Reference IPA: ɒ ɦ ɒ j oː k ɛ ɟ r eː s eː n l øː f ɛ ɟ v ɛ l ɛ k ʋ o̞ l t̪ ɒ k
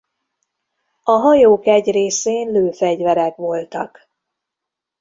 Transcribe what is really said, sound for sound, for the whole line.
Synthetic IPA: ɒ ɦ ɒ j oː k ɛ ɟ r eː s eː n l øː f ɛ ɟ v ɛ ɾ ɛ k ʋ o̞ l t̪ ɒ k